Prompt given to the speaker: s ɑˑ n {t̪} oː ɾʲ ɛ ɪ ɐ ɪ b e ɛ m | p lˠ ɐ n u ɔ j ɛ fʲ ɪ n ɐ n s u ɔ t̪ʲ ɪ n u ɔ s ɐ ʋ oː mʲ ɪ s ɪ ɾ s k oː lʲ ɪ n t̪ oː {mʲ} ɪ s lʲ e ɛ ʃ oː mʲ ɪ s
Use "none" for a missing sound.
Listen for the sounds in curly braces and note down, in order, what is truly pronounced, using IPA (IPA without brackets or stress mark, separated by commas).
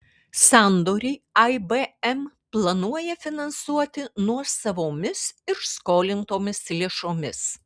d̪, mʲ